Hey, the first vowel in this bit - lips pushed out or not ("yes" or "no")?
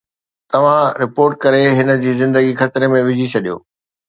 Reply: no